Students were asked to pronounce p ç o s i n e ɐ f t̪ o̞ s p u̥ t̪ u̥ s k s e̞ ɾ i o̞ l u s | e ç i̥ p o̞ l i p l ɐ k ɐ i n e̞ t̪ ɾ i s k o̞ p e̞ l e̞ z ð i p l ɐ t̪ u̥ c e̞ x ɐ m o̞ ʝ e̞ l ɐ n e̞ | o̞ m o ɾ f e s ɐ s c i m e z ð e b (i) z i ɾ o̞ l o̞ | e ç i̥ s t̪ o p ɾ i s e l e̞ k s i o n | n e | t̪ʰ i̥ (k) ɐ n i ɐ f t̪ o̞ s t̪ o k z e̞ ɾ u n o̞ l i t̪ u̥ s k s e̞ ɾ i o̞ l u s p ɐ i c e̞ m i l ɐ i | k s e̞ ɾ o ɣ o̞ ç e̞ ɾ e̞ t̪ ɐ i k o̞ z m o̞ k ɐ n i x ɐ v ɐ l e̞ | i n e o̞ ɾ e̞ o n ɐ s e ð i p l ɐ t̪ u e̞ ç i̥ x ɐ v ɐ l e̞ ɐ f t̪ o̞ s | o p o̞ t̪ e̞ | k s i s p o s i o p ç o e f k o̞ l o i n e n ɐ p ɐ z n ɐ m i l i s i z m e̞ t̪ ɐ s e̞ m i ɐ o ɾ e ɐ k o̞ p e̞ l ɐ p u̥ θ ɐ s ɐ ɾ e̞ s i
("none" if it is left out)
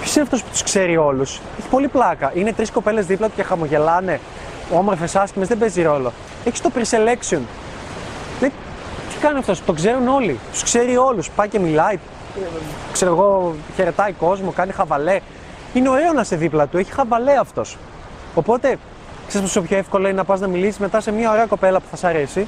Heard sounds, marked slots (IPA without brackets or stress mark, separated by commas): e, k